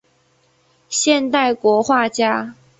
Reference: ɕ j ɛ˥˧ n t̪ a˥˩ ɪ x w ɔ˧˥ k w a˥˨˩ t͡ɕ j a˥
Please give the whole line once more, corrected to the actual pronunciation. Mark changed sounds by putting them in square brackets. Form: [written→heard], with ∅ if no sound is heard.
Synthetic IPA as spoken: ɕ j ɛ˥˧ n t̪ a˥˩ ɪ [x→k] w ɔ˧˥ [k→x] w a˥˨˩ t͡ɕ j a˥